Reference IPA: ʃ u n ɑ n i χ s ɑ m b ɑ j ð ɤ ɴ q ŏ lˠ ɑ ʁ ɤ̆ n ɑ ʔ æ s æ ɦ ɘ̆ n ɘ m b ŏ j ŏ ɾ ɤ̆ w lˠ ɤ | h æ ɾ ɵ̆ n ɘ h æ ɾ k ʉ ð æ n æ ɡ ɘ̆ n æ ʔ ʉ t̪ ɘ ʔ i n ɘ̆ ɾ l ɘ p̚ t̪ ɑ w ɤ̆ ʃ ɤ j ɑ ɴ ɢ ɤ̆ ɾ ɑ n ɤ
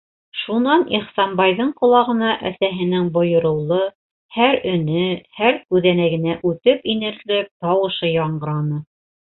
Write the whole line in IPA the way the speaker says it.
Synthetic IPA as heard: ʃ u n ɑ n i χ s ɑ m b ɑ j ð ɤ ɴ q ŏ lˠ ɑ ʁ ɤ̆ n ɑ ʔ æ s æ ɦ ɘ̆ n ɘ ŋ b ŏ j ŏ ɾ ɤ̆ w lˠ ɤ | h æ ɾ ɵ̆ n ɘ h æ ɾ k ʉ ð æ n æ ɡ ɘ̆ n æ ʔ ʉ t̪ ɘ p i n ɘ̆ ɾ l ɘ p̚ t̪ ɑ w ɤ̆ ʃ ɤ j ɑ ɴ ɢ ɤ̆ ɾ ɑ n ɤ